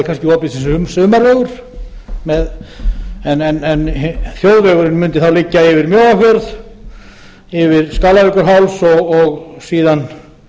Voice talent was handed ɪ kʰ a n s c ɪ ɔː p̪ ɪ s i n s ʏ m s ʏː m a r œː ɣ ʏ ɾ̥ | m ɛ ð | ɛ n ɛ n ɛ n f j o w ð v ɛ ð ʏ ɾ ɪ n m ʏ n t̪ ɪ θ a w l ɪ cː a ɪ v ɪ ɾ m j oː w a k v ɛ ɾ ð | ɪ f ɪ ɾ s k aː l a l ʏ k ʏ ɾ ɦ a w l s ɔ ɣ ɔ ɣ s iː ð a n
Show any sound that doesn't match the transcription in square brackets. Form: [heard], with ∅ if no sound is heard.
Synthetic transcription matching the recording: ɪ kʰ a n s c ɪ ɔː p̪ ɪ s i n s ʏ m s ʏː m a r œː ɣ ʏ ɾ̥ | m ɛ ð | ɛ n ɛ n ɛ n [θ] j o w ð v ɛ [ɣ] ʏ ɾ ɪ n m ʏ n t̪ ɪ θ a w l ɪ cː a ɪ v ɪ ɾ m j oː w a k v ɛ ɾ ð | ɪ [v] ɪ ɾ s k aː l a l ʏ k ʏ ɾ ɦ a w l s ɔ ɣ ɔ ɣ s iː ð a n